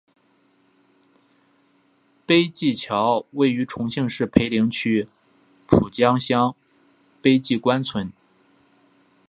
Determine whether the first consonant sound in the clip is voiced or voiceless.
voiceless